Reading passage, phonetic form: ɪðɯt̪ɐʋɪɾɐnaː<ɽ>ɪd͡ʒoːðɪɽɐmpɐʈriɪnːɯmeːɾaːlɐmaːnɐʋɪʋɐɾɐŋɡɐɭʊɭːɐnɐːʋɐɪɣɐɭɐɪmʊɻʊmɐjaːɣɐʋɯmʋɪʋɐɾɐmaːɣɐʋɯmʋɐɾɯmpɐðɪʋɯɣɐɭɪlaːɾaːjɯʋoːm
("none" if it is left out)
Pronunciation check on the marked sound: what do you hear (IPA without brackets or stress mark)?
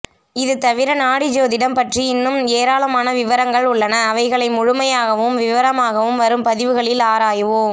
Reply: ɽ